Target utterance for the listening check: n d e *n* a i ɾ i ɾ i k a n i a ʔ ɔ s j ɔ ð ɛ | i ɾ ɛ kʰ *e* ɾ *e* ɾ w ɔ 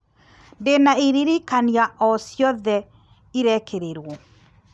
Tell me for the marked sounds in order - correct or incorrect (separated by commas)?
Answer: correct, correct, correct